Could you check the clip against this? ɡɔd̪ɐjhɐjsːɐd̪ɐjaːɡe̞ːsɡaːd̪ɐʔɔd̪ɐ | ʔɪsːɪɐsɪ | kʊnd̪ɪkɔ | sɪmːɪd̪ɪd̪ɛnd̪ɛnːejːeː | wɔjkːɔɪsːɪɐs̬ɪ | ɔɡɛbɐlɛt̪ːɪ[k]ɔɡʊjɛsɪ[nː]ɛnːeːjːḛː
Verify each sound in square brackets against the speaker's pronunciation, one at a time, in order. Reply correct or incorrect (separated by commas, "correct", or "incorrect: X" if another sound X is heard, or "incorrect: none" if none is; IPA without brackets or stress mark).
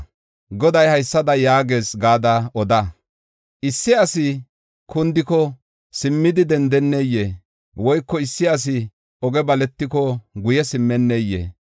correct, incorrect: mː